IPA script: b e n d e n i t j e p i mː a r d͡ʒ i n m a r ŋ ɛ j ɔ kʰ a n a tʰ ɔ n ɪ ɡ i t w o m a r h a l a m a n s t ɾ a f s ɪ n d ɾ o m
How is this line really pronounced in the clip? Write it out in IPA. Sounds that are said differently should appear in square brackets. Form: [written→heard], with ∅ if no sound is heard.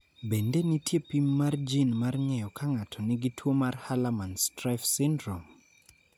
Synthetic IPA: b e n d e n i t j e p i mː a r d͡ʒ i n m a r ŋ ɛ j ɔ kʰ a [n→ŋ] a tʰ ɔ n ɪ ɡ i t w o m a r h a l a m a n s t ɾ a f s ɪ n d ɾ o m

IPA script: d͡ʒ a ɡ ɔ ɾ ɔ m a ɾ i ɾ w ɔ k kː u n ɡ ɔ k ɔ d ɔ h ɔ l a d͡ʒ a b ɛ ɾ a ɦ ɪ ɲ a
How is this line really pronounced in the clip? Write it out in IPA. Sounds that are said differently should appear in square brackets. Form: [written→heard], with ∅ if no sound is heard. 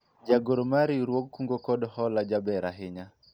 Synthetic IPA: d͡ʒ a ɡ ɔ ɾ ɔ m a ɾ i ɾ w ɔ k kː u [n→ŋ] ɡ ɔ k ɔ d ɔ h ɔ l a d͡ʒ a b ɛ ɾ a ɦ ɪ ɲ a

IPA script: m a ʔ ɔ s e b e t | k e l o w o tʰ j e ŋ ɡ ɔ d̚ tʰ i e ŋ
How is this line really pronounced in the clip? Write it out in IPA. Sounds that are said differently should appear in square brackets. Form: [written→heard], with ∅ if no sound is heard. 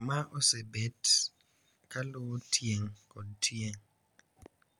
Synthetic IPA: m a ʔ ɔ s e b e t | k [e→a] l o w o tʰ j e ŋ [ɡ→k] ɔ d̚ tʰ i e ŋ

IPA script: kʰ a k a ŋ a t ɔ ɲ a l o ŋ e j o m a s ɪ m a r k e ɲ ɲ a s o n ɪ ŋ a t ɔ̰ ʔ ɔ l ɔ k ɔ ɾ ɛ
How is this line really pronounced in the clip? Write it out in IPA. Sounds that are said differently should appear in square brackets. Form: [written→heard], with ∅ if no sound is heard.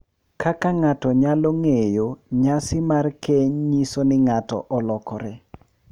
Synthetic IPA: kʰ a k a ŋ a t ɔ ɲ a l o ŋ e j o [m→ɲ] a s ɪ m a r k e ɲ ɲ [a→i] s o n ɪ ŋ a t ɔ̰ ʔ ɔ l ɔ k ɔ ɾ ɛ

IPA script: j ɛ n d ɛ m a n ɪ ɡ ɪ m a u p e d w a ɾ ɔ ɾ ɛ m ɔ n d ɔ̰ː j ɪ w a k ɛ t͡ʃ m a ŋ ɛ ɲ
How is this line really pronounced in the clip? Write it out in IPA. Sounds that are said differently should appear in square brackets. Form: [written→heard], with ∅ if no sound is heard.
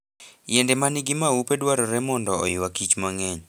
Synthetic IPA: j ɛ n d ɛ m a n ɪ ɡ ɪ m a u p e d w a ɾ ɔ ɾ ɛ m ɔ n d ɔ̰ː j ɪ w a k [ɛ→i] t͡ʃ m a ŋ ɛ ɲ

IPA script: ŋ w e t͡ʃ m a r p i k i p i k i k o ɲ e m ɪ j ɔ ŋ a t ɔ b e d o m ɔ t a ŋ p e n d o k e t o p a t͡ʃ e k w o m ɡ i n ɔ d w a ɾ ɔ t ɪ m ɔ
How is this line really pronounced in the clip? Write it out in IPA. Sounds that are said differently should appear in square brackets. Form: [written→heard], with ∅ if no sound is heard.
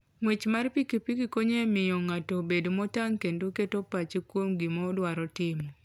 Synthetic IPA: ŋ w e t͡ʃ m a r p i k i p i k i k o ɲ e m ɪ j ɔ ŋ a t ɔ b e d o m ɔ t a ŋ [p→k] e n d o k e t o p a t͡ʃ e k w o m ɡ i [n→m] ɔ d w a ɾ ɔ t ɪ m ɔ

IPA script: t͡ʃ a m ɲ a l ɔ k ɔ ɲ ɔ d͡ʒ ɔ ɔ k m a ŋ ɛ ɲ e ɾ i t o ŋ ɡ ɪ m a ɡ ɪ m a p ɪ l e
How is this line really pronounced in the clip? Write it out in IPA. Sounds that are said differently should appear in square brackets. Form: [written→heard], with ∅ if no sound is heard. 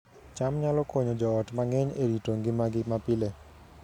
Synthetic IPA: t͡ʃ a m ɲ a l ɔ k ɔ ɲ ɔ d͡ʒ ɔ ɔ [k→t] m a ŋ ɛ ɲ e ɾ i t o ŋ ɡ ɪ m a ɡ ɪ m a p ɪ l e

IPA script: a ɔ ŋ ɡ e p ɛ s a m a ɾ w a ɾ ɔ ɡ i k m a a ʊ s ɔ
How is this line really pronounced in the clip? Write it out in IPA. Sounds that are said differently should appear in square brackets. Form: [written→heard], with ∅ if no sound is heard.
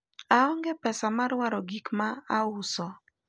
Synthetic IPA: a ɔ ŋ ɡ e p ɛ s a m a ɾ w a ɾ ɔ ɡ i k m a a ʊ s ɔ

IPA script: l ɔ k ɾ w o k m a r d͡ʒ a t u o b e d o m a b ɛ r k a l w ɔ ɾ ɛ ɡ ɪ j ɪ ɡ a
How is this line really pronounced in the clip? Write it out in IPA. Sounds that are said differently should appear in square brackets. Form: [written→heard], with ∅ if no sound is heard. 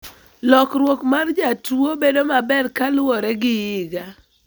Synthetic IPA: l ɔ k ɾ w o k m a r d͡ʒ a t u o b e d o m a b ɛ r k a l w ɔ ɾ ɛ ɡ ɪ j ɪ ɡ a

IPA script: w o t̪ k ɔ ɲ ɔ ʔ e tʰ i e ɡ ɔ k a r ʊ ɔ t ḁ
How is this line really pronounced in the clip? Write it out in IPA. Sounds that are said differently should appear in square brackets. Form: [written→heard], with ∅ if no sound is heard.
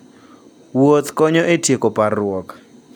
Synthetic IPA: w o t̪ k ɔ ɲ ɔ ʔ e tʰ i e [ɡ→k] ɔ [k→p] a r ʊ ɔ [t→k] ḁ

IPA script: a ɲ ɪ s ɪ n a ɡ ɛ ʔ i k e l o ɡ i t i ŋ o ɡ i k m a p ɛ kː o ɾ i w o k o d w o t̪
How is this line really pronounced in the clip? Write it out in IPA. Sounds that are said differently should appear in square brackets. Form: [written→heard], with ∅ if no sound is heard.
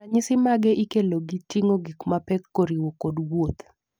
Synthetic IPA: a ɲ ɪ s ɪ [n→m] a ɡ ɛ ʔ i k e l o ɡ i t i ŋ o ɡ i k m a p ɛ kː o ɾ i w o k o d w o t̪

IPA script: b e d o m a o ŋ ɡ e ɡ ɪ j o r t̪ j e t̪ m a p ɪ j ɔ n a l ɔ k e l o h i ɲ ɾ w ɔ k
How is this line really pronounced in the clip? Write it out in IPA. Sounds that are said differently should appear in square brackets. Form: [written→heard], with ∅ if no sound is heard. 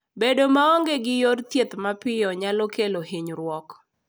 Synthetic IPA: b e d o m a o ŋ ɡ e ɡ ɪ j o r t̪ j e t̪ m a p ɪ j ɔ [n→ɲ] a l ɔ k e l o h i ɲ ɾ w ɔ k

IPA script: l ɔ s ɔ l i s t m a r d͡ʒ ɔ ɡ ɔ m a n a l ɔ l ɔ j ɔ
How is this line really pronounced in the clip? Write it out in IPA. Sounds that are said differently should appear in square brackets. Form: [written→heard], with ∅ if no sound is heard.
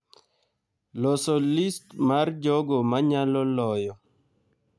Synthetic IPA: l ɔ s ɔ l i s t m a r d͡ʒ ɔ ɡ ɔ m a [n→ɲ] a l ɔ l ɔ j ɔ

